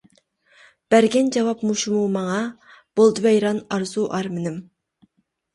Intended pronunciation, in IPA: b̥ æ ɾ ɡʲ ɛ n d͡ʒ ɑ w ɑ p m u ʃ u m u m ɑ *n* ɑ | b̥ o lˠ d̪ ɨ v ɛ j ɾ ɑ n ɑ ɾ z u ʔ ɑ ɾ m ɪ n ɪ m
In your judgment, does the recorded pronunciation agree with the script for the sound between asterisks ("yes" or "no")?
no